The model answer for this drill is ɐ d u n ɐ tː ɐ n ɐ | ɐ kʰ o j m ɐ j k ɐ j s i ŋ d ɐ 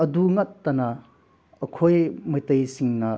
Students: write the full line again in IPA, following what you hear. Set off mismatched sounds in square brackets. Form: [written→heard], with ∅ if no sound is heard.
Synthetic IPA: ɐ d u [n→ŋ] ɐ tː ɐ n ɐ | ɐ kʰ o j m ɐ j [k→t] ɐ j s i ŋ [d→n] ɐ